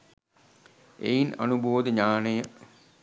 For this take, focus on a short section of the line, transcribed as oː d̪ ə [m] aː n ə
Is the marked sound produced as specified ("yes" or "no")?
no